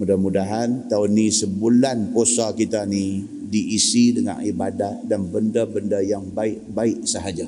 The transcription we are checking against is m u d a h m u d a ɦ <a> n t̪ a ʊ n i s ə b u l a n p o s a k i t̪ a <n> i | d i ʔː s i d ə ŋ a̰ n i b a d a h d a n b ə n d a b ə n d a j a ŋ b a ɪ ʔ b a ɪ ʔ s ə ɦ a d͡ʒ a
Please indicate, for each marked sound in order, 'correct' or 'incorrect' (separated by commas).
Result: correct, correct